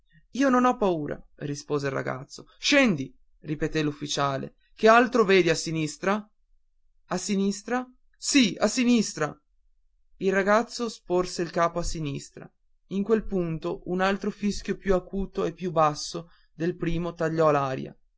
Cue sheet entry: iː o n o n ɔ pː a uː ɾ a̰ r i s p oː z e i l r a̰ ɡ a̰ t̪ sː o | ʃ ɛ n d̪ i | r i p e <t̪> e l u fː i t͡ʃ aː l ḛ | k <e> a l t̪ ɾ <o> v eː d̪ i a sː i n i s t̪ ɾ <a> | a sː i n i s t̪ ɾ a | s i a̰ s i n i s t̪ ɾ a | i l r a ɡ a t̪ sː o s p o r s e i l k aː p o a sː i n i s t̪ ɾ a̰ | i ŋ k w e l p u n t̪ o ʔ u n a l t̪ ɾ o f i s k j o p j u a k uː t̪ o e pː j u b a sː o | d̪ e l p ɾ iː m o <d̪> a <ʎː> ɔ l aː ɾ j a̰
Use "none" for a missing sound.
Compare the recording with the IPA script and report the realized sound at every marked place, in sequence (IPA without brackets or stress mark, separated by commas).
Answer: t̪, e, o, a, t̪, ʎː